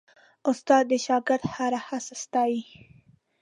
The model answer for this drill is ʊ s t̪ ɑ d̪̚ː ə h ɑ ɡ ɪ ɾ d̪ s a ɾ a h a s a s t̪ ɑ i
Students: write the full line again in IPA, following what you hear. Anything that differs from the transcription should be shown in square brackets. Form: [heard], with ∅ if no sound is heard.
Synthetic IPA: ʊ s t̪ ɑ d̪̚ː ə [ʃ] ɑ ɡ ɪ ɾ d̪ [h] a ɾ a h a s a s t̪ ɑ i

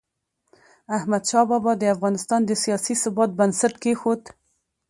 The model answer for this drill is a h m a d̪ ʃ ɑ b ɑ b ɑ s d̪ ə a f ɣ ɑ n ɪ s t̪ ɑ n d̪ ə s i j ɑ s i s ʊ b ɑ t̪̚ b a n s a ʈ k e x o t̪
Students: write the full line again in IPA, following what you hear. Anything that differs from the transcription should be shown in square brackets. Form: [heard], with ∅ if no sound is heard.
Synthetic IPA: a h m a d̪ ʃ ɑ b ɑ b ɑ [∅] d̪ ə a f ɣ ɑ n ɪ s t̪ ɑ n d̪ ə s i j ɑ s i s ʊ b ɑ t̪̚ b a n s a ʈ k e x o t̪

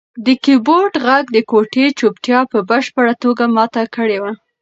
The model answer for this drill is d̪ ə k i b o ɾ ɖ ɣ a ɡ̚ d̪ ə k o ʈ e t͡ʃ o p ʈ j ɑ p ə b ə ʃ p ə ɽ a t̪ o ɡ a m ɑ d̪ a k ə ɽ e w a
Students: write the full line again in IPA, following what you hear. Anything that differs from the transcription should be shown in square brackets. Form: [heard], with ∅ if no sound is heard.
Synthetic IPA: d̪ ə k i b o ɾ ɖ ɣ a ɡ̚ d̪ ə k o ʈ e t͡ʃ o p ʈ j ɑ p ə b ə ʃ p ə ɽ a t̪ o ɡ a m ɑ [t̪] a k ə ɽ e w a

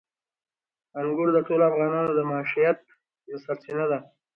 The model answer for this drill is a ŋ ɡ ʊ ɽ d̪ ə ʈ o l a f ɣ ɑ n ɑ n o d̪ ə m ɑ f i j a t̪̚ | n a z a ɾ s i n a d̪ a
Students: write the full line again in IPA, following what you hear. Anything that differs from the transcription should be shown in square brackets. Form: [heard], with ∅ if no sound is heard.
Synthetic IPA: a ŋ ɡ ʊ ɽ d̪ ə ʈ o l a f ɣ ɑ n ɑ n o d̪ ə m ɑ [ʃ] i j a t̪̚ | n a [s] a ɾ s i n a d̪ a

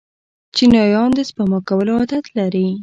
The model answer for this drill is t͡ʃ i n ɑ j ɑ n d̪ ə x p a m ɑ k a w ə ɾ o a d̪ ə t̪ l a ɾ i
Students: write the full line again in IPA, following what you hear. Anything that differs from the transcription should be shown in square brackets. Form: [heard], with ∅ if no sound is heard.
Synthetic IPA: t͡ʃ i n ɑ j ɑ n d̪ ə [s] p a m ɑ k a w ə [l] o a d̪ [a] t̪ l a ɾ i

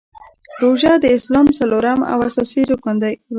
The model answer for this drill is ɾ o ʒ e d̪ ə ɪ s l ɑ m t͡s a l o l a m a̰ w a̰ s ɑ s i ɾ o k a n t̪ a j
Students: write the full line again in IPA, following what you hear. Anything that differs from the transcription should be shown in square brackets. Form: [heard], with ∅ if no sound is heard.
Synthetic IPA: ɾ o ʒ [a] d̪ ə ɪ s l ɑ m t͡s a l o [ɾ] a m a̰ w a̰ s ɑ s i ɾ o k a n [d̪] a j

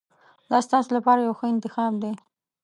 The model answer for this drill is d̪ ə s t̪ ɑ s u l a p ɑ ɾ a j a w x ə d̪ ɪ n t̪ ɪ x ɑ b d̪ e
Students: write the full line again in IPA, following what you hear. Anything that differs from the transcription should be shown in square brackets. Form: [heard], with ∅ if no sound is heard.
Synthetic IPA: d̪ [ɑ] s t̪ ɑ s [o] l a p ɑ ɾ a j a w x ə [∅] ɪ n t̪ ɪ x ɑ b d̪ e

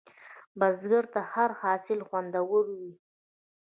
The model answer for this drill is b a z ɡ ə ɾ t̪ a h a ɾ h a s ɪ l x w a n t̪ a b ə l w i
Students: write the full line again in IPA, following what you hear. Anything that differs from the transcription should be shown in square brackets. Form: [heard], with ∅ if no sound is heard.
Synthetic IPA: b a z ɡ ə ɾ t̪ a h a ɾ h [ɑ] s ɪ l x w a n [d̪] a [w] ə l w i

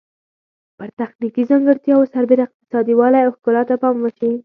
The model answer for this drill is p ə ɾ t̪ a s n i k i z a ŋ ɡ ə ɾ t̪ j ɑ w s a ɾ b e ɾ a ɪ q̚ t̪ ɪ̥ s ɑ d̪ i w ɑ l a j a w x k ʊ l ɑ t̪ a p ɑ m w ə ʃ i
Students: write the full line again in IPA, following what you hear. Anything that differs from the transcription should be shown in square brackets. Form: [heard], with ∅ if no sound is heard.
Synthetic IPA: p ə ɾ t̪ a [x] n i k i z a ŋ ɡ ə ɾ t̪ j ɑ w s a ɾ b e ɾ a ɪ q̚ t̪ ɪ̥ s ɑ d̪ i w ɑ l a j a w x k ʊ l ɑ t̪ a p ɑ m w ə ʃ i

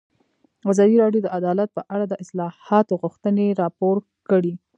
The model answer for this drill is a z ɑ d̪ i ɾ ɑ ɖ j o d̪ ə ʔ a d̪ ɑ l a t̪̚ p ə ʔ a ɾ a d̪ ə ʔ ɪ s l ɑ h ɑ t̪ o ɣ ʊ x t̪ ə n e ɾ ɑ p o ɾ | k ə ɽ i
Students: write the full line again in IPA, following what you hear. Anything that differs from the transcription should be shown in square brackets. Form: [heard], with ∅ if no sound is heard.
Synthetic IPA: a z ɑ d̪ i ɾ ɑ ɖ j o d̪ ə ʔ a d̪ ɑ l a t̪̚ p ə ʔ a [ɽ] a d̪ ə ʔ ɪ s l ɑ h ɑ t̪ o ɣ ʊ x t̪ ə n e ɾ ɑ p o ɾ | k ə ɽ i

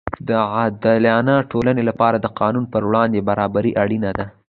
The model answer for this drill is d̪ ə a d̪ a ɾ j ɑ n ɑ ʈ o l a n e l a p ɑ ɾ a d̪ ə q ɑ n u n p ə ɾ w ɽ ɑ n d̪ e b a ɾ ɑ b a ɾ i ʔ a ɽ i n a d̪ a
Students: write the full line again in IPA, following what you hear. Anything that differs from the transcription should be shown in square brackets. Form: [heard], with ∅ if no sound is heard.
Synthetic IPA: d̪ ə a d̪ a [l] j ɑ n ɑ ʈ o l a n e l a p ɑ ɾ a d̪ ə q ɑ n u n p ə ɾ w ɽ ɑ n d̪ e b a ɾ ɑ b a ɾ i ʔ a ɽ i n a d̪ a

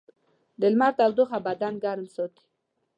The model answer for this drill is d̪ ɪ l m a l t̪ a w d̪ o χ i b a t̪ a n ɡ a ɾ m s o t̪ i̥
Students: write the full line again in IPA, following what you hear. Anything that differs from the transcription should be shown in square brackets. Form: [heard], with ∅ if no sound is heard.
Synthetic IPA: d̪ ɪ l m a [ɾ] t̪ a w d̪ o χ [a] b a [d̪] a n ɡ a ɾ m s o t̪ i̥

